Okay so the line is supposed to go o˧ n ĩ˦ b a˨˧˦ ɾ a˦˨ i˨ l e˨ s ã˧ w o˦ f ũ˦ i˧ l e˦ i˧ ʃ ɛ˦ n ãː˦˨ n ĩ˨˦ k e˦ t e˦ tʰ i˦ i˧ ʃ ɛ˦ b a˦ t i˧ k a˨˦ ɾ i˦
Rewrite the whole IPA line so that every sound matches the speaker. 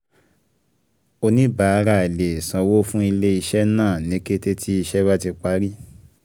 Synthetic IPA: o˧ n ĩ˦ b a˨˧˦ ɾ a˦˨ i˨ l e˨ s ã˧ w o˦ f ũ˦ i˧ l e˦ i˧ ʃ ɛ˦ n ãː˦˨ n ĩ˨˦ k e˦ t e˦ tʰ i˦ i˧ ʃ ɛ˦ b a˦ t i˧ k͡p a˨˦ ɾ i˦